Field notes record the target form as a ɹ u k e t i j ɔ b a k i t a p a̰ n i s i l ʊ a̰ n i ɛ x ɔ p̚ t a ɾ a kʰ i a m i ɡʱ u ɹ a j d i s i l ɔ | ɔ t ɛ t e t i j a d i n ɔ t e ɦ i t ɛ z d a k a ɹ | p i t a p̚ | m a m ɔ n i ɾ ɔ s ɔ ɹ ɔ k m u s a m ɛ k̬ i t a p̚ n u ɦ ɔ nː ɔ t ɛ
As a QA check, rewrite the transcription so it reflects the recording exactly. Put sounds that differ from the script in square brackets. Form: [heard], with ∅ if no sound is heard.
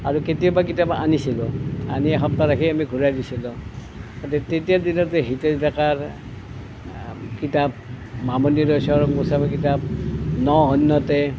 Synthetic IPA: a ɹ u k e t i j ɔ b a k i t a p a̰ n i s i l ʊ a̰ n i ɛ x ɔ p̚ t a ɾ a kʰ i a m i ɡʱ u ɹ a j d i s i l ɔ | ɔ t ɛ t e t i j a d i n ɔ t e ɦ i t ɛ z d a k a ɹ | [k] i t a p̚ | m a m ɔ n i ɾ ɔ s ɔ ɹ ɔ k m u s a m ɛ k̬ i t a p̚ n [ɔ] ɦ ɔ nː ɔ t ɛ